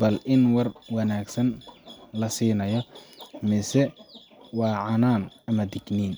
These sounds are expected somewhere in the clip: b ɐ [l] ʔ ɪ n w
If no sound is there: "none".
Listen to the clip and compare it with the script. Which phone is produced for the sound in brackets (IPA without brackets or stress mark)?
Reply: l